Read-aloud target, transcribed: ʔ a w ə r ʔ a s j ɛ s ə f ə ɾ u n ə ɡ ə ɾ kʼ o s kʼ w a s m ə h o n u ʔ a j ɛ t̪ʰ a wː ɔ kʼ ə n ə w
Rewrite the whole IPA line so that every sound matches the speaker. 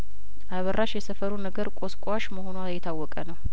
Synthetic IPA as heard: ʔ a β ə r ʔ a ʃ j ɛ s ə f ə ɾ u n ə ɡ ə ɾ kʼ o s kʼ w a ʃ m ə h o n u a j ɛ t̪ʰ a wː ɔ kʼ ə n ə w